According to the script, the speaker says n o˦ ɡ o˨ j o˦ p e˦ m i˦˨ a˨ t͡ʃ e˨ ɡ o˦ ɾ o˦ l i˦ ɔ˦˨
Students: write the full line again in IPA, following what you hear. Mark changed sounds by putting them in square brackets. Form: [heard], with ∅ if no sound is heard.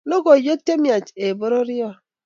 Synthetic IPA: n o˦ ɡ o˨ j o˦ [t] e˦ m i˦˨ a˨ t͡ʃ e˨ [b] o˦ ɾ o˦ [ɾ] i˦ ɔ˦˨